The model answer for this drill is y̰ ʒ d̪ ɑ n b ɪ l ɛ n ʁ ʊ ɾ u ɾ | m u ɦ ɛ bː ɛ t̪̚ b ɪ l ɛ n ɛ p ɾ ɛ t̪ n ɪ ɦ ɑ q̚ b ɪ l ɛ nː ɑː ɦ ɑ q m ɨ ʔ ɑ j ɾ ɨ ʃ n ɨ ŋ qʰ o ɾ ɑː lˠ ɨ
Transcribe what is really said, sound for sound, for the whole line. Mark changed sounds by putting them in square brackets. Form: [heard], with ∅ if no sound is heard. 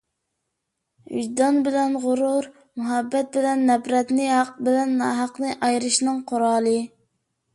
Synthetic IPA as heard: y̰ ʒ d̪ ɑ n b ɪ l ɛ n ʁ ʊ ɾ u ɾ | m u ɦ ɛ bː ɛ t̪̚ b ɪ l ɛ [nː] ɛ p ɾ ɛ t̪ n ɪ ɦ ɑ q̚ b ɪ l ɛ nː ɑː ɦ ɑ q [n] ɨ ʔ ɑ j ɾ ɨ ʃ n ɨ ŋ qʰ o ɾ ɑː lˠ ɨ